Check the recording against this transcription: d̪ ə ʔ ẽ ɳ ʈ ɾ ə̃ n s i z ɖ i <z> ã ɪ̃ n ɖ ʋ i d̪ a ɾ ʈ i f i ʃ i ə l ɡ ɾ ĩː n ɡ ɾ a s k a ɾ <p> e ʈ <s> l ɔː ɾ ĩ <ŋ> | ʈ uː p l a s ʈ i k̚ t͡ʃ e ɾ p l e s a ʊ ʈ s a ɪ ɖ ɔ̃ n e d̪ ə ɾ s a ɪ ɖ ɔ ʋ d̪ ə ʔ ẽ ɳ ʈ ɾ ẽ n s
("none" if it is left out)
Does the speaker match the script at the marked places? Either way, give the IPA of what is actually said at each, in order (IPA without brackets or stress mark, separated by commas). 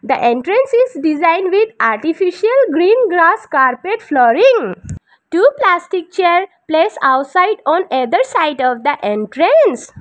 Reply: z, p, f, ŋ